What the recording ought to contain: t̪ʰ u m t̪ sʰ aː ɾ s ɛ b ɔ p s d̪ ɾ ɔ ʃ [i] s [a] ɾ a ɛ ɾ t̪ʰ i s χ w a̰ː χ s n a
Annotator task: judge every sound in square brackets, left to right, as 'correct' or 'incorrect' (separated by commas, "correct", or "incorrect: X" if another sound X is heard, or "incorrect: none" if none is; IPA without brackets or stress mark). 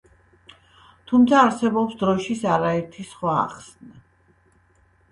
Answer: correct, correct